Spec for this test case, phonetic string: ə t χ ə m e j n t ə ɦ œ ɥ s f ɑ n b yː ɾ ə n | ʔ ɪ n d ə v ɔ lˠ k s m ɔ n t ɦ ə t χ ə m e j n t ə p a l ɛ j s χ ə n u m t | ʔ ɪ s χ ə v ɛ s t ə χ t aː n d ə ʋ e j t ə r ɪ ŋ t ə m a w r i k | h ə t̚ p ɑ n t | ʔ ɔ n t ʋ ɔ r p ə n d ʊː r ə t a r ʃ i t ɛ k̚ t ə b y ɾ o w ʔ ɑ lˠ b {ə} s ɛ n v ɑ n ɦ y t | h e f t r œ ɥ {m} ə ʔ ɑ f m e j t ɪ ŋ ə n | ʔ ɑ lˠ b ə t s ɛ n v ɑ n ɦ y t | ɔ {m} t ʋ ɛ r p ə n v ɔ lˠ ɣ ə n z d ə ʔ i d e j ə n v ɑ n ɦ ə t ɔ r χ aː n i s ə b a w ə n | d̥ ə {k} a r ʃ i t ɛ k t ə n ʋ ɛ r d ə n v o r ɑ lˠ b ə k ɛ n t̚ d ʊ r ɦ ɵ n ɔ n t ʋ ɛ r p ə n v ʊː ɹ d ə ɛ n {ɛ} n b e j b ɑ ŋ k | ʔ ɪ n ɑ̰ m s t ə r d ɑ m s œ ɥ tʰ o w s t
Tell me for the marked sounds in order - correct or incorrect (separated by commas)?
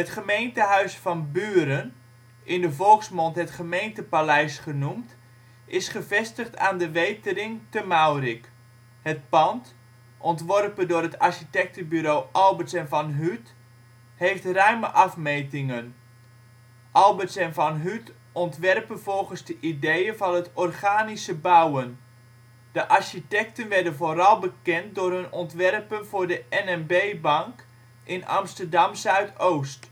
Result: correct, correct, incorrect, incorrect, correct